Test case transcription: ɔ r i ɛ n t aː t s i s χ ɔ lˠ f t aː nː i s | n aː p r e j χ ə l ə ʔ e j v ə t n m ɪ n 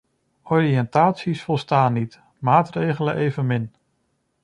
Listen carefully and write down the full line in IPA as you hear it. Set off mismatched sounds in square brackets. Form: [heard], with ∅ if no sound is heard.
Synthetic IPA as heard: ɔ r i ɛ n t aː t s i s [f] ɔ lˠ [s] t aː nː i [t] | [m] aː [t] r e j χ ə l ə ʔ e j v ə [∅] n m ɪ n